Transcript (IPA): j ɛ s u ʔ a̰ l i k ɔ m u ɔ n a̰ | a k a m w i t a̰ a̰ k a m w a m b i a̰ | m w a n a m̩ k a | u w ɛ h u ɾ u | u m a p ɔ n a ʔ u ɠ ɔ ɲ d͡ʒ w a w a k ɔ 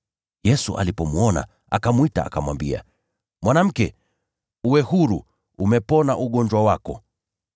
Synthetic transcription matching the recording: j ɛ s u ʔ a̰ l i p ɔ m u ɔ n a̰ | a k a m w i t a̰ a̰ k a m w a m b i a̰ | m w a n a m̩ k ɛ | u w ɛ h u ɾ u | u m ɛ p ɔ n a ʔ u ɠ ɔ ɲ d͡ʒ w a w a k ɔ

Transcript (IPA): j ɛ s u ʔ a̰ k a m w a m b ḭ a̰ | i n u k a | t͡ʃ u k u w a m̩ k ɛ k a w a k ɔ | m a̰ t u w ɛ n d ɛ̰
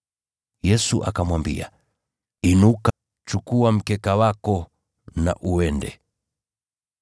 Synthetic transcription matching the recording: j ɛ s u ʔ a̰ k a m w a m b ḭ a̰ | i n u k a | t͡ʃ u k u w a m̩ k ɛ k a w a k ɔ | n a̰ ʔ u w ɛ n d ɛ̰

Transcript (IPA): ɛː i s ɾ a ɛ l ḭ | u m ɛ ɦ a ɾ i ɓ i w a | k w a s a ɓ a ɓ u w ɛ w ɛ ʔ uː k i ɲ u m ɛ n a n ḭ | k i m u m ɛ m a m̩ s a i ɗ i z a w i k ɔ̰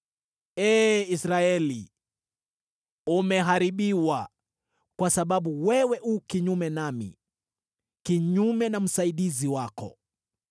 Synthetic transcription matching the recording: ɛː i s ɾ a ɛ l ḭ | u m ɛ ɦ a ɾ i ɓ i w a | k w a s a ɓ a ɓ u w ɛ w ɛ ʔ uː k i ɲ u m ɛ n a m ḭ | k i ɲ u m ɛ n a m̩ s a i ɗ i z i w a k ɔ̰

